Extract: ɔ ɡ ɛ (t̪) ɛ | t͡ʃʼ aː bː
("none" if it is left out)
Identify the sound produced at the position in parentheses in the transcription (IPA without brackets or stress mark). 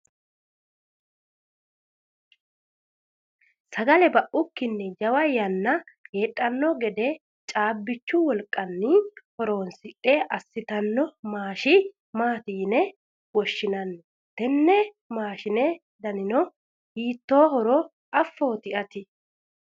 d̪